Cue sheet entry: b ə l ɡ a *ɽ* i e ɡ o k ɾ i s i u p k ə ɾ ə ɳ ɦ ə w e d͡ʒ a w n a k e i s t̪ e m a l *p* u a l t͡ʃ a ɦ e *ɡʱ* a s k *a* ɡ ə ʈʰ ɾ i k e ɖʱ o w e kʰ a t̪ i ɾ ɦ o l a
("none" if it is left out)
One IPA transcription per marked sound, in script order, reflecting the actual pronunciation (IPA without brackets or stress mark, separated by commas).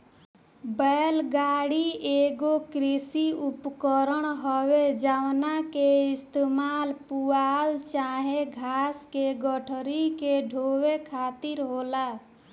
ɽ, p, ɡʱ, e